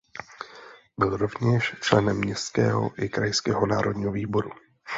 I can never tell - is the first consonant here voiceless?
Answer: no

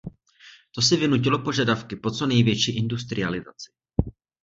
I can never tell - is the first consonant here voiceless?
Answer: yes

